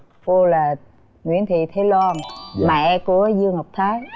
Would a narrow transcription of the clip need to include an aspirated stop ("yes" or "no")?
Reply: yes